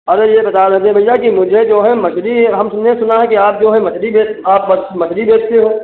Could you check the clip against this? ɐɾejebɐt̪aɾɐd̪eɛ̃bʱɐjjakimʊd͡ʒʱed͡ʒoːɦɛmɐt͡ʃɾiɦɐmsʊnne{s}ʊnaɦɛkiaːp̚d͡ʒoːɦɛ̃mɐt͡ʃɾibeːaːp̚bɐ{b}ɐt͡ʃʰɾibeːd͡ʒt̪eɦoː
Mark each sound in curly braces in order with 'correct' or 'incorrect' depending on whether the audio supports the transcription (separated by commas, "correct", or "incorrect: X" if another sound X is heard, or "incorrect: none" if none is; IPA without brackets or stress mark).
correct, incorrect: m